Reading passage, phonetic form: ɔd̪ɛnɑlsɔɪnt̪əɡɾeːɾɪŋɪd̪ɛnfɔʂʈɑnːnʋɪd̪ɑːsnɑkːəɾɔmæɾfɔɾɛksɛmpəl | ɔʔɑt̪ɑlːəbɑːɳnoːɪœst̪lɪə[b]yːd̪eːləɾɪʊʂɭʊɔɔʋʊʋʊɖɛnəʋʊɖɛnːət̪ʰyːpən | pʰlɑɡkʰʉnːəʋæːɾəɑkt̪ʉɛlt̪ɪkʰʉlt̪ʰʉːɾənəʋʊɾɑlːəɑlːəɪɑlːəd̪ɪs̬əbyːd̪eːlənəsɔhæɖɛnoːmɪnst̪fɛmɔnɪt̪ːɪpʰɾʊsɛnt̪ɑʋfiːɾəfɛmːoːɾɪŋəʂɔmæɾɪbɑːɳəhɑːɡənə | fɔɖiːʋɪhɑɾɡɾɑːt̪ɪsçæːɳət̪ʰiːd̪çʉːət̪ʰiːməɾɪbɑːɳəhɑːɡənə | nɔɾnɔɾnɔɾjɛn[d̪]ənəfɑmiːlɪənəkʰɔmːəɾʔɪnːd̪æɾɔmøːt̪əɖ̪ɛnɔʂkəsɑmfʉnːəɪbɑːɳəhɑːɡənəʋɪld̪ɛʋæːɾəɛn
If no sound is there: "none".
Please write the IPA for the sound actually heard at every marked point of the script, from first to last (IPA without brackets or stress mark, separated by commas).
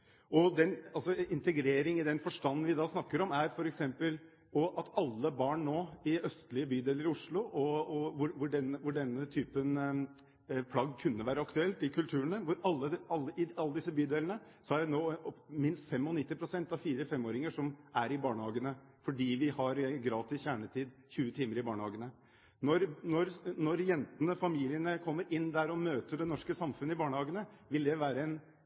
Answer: b, t̪